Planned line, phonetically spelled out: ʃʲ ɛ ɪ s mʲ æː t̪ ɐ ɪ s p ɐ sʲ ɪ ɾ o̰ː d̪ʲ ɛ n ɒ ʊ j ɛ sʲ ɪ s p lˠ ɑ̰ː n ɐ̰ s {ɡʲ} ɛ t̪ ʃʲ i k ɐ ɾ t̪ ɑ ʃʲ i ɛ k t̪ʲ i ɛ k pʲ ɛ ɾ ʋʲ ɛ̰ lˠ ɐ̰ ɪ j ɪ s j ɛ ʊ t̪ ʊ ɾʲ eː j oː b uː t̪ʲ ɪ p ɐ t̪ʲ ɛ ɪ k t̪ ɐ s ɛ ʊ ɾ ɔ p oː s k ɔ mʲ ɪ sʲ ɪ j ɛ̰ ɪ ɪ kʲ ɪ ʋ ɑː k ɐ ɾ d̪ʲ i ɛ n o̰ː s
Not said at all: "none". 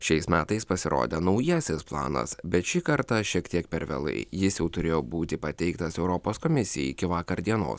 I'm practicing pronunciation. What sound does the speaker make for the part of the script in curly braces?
bʲ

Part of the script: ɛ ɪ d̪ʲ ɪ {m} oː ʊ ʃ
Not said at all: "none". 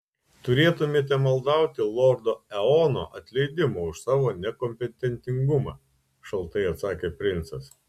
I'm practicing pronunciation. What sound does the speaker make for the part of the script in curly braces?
m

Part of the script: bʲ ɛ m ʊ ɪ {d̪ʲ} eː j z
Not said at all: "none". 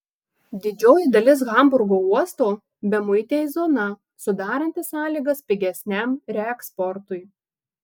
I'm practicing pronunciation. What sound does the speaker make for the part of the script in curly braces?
t̪ʲ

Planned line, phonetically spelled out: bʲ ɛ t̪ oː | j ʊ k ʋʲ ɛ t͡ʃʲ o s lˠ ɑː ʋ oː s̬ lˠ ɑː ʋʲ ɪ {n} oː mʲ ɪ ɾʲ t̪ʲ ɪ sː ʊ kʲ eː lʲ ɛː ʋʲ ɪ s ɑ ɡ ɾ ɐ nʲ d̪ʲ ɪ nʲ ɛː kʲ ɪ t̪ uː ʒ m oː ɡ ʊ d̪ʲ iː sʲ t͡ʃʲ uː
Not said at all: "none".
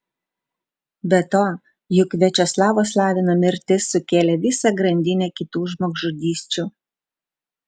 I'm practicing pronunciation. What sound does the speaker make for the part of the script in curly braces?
n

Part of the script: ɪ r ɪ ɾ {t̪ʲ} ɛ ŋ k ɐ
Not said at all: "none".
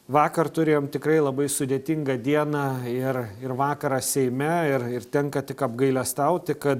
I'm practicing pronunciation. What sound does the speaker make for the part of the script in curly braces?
t̪ʲ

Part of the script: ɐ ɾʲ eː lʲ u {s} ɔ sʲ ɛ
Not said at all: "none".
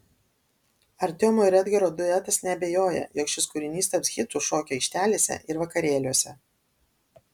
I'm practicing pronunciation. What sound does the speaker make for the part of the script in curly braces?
none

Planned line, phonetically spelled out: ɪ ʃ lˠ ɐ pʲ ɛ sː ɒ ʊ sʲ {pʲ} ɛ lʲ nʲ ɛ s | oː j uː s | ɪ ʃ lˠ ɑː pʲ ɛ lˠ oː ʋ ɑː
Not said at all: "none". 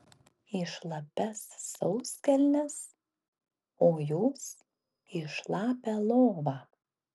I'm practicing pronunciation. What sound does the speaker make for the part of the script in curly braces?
kʲ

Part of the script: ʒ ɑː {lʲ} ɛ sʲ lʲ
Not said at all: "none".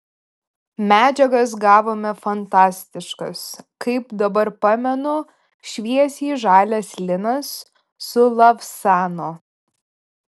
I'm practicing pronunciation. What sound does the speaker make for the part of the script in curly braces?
lʲ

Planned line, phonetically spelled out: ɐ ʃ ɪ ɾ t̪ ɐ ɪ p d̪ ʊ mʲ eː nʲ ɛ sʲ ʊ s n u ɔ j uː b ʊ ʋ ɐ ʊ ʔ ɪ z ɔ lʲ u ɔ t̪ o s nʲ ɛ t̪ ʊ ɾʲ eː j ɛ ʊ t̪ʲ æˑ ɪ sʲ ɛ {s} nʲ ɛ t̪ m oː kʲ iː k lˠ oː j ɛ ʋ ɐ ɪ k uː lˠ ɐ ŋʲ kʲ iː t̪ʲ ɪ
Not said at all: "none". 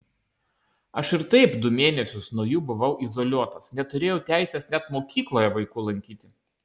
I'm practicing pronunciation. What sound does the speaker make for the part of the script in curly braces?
s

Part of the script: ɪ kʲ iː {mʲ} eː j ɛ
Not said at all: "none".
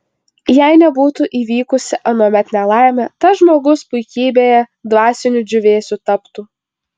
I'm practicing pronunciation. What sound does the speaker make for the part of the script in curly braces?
bʲ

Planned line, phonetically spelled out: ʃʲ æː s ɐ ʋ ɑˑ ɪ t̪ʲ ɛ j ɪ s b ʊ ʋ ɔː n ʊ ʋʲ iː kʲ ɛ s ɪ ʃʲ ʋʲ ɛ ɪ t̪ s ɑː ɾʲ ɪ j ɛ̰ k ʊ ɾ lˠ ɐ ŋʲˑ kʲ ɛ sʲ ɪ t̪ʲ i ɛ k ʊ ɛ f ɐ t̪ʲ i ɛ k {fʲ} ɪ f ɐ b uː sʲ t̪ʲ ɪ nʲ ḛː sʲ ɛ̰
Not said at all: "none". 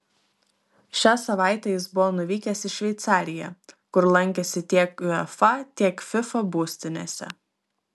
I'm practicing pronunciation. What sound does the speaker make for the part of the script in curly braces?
fʲ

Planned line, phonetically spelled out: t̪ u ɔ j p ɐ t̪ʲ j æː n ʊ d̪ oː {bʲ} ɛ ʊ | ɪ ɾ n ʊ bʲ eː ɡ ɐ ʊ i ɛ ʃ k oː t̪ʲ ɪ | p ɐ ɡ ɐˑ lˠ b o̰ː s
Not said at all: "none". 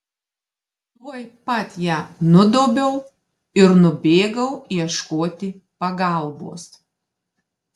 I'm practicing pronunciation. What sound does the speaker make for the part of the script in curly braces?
bʲ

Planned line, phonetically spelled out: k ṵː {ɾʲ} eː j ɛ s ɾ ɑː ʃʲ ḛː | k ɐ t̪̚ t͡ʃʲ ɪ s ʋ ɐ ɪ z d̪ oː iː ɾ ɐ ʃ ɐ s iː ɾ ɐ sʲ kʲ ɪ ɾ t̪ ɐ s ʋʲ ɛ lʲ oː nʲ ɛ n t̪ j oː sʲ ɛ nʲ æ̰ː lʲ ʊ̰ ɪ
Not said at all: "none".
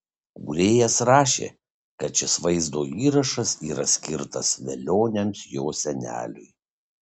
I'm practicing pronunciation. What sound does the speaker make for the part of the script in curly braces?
ɾʲ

